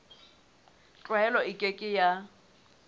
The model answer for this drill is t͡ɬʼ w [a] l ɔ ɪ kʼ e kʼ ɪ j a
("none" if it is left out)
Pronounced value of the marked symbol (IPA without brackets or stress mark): ɛ